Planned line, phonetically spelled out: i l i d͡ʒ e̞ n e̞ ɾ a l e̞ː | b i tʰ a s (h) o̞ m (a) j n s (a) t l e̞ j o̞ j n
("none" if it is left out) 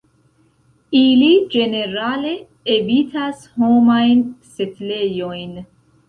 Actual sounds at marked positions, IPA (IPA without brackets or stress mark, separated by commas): h, a, e